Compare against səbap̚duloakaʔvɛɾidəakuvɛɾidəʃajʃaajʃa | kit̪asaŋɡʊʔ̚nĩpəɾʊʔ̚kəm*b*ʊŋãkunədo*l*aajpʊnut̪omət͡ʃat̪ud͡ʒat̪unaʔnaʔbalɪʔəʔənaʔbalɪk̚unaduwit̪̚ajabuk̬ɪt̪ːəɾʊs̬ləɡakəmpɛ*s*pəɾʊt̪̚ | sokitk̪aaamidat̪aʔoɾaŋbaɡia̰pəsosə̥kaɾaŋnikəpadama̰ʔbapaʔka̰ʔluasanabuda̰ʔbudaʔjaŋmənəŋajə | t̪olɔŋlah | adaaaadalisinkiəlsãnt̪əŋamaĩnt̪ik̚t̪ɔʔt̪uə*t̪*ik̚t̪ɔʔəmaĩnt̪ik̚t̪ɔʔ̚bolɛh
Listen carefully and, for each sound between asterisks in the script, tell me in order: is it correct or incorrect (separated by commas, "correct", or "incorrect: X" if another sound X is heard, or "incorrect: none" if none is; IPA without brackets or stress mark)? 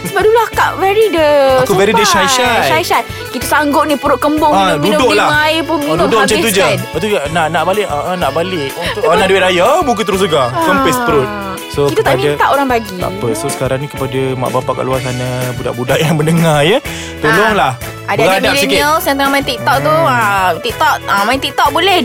correct, correct, correct, correct